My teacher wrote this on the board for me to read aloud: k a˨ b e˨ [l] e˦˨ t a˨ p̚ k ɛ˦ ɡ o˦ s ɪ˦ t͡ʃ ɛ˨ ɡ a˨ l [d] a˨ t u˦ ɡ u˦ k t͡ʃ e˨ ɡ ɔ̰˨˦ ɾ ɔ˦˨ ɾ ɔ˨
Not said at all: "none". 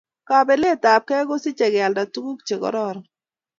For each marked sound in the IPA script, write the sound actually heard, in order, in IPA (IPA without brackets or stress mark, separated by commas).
l, d